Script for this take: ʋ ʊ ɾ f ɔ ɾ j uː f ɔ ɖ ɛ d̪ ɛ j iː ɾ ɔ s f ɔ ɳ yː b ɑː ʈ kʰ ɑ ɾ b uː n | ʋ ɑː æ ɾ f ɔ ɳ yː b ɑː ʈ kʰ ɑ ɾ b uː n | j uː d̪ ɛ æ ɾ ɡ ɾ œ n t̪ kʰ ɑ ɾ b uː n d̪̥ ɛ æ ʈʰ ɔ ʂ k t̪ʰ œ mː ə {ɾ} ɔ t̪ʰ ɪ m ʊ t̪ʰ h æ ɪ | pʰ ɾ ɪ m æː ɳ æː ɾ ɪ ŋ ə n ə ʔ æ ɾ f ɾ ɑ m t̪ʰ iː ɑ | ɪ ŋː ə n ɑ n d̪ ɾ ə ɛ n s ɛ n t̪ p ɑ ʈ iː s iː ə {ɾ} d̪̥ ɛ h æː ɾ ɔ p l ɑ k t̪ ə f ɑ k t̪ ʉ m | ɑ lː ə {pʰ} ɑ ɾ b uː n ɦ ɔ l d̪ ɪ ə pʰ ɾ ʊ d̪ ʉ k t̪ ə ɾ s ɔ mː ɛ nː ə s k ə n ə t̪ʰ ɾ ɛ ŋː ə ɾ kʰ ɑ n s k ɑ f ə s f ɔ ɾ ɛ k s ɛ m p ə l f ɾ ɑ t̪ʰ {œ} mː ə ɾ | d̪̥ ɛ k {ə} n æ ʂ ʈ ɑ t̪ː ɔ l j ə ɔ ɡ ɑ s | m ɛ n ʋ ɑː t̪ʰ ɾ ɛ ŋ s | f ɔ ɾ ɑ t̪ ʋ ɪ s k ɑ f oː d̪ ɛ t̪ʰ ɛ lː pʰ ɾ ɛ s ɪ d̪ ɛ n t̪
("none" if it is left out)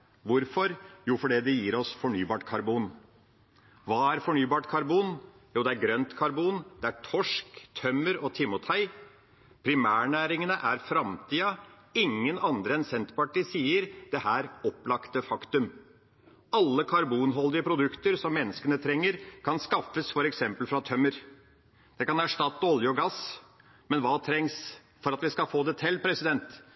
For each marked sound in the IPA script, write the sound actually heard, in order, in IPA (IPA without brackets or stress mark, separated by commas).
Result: ɾ, ɾ, kʰ, œ, ɑ